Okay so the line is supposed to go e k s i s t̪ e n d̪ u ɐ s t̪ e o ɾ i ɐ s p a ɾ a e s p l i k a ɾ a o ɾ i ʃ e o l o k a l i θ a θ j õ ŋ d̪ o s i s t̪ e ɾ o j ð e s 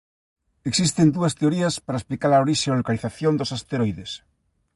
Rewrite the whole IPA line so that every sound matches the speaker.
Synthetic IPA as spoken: e k s i s t̪ e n d̪ u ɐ s t̪ e o ɾ i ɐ s p a ɾ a e s p l i k a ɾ a o ɾ i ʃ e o l o k a l i θ a θ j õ n d̪ o s a s t̪ e ɾ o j ð e s